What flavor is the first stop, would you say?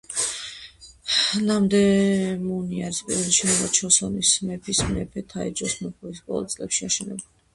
plain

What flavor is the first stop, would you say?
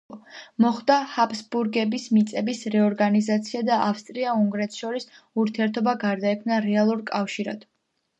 plain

